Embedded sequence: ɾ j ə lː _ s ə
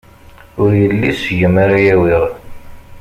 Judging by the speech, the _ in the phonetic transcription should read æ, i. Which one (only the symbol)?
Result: i